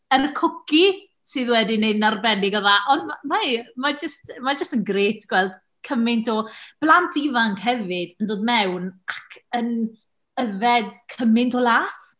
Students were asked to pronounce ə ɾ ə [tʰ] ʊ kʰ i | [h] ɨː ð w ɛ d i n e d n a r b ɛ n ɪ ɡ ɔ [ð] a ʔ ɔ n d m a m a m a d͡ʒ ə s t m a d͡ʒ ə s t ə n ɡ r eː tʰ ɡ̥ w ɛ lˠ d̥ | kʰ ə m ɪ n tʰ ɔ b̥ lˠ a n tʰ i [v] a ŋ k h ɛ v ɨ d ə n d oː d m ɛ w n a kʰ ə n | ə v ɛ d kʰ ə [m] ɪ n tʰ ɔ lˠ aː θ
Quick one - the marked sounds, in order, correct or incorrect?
incorrect, incorrect, correct, correct, correct

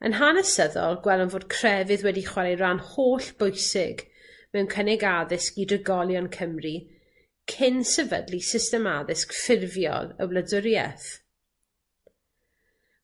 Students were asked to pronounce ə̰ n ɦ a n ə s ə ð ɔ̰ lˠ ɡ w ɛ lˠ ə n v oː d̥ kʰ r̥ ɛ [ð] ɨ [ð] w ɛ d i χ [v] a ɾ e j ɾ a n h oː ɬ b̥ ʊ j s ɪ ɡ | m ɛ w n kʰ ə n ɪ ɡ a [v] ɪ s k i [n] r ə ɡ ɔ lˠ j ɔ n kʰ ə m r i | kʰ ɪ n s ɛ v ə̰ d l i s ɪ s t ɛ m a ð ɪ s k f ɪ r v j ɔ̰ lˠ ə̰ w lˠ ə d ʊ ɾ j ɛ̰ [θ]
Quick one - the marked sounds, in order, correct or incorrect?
incorrect, correct, incorrect, incorrect, incorrect, correct

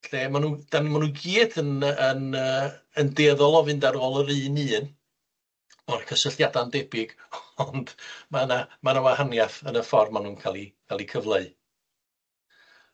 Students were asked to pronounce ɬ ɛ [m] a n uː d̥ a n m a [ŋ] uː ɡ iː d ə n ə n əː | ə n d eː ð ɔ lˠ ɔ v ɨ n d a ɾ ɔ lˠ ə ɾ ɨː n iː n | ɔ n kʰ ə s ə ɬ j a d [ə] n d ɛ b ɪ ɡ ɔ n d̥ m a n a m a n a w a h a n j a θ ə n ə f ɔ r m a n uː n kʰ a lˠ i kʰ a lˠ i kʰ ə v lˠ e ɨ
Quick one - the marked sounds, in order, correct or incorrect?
correct, incorrect, incorrect

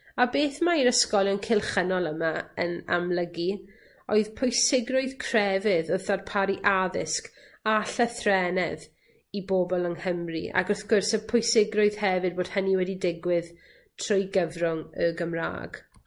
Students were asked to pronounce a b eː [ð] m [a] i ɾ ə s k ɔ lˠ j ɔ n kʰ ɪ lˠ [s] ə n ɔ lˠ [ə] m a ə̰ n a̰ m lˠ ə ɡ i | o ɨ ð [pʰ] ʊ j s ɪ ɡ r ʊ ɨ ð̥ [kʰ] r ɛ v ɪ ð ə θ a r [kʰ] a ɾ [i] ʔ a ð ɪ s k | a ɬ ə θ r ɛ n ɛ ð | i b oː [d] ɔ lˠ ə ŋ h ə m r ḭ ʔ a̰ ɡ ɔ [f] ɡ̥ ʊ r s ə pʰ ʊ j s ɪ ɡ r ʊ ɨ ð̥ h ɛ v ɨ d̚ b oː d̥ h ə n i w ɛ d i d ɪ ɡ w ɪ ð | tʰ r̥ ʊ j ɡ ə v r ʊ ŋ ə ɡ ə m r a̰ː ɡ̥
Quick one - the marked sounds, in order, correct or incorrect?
incorrect, correct, incorrect, correct, correct, correct, incorrect, correct, incorrect, incorrect

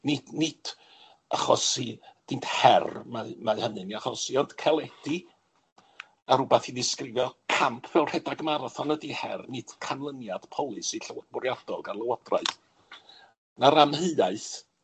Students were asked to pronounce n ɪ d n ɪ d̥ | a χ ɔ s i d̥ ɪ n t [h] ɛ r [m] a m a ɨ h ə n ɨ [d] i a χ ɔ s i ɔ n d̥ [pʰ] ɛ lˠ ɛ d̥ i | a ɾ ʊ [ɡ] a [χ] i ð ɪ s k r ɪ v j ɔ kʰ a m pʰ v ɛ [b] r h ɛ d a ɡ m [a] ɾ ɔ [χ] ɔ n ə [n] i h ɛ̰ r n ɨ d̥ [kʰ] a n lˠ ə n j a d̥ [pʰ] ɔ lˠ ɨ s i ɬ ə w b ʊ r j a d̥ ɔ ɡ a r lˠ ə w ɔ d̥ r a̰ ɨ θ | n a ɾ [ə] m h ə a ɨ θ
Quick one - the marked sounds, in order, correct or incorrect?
correct, correct, incorrect, incorrect, incorrect, incorrect, incorrect, correct, incorrect, incorrect, correct, correct, incorrect

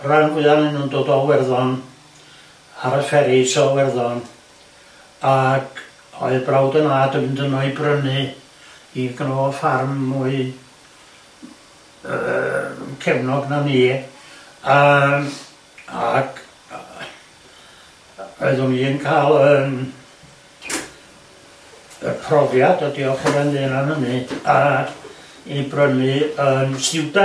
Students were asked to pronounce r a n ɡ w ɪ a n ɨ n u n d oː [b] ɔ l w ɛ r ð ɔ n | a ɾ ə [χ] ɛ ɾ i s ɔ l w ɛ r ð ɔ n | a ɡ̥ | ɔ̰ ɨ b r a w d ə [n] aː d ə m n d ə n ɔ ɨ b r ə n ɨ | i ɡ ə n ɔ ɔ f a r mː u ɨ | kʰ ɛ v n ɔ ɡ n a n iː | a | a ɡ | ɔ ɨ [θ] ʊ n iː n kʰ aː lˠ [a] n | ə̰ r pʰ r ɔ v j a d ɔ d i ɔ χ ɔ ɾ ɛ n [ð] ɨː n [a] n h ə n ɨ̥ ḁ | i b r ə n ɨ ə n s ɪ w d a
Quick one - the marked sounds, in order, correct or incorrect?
incorrect, incorrect, correct, incorrect, incorrect, correct, correct

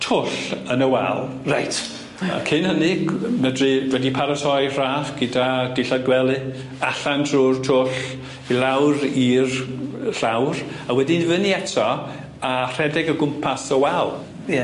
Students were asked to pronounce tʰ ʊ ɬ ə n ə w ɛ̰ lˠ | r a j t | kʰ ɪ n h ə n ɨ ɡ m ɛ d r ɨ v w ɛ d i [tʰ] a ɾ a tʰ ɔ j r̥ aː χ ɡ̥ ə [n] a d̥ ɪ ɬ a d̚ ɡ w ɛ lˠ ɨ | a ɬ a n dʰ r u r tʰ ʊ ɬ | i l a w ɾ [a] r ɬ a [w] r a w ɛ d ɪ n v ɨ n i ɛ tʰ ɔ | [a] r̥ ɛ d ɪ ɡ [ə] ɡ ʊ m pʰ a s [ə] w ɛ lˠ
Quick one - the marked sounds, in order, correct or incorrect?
incorrect, incorrect, incorrect, correct, correct, correct, correct

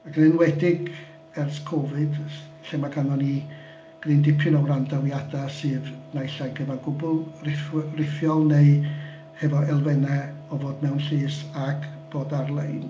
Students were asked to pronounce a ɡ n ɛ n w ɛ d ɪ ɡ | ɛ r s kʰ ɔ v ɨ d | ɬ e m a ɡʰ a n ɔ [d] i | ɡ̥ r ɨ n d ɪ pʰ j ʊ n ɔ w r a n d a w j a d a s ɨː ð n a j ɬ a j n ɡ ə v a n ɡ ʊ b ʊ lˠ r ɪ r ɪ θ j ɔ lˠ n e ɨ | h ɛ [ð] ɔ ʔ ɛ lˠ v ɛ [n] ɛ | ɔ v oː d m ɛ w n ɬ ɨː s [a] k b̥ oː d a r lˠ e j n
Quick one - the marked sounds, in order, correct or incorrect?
incorrect, incorrect, correct, correct

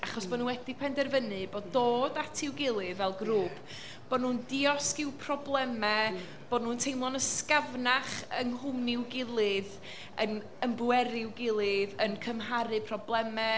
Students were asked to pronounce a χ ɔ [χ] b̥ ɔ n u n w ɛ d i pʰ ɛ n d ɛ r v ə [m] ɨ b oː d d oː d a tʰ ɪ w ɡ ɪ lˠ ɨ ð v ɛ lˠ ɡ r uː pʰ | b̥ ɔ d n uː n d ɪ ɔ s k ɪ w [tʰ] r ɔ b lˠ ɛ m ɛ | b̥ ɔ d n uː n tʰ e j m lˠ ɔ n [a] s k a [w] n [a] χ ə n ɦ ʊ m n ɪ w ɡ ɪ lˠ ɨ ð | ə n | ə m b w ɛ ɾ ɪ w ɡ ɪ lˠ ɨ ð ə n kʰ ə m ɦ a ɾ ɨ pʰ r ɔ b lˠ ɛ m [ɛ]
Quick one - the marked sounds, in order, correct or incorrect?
incorrect, incorrect, incorrect, incorrect, incorrect, correct, correct

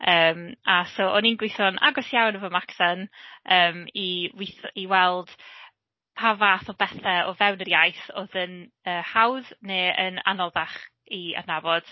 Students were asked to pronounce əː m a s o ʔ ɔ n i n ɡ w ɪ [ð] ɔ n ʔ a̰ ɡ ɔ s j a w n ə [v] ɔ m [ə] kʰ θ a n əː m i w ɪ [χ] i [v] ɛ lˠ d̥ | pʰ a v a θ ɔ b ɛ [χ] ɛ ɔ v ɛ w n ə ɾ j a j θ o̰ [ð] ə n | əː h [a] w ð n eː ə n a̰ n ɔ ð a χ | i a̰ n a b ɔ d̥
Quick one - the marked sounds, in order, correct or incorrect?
incorrect, correct, incorrect, incorrect, incorrect, incorrect, correct, correct

